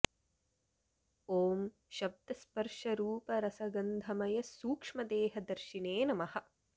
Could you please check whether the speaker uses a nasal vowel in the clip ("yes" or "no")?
no